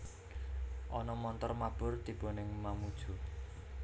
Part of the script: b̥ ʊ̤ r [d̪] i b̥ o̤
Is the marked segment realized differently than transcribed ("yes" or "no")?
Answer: yes